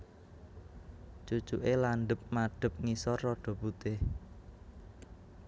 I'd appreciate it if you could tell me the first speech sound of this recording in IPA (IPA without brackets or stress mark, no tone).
t͡ʃ